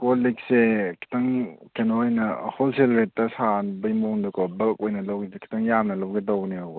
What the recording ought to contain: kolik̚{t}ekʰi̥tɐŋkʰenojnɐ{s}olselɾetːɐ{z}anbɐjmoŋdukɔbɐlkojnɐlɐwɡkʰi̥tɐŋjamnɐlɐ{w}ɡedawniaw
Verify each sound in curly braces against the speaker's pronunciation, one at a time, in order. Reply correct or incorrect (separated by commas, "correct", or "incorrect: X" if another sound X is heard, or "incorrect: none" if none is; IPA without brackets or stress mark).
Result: incorrect: s, incorrect: h, incorrect: s, correct